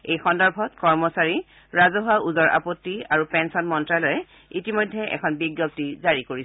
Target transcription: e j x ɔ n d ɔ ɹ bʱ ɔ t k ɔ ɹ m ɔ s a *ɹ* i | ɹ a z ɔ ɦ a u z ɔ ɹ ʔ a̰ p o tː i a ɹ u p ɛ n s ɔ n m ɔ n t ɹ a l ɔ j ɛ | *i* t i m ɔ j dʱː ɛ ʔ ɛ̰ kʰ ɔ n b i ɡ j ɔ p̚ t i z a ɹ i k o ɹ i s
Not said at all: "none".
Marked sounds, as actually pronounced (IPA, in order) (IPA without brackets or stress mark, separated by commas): ɹ, i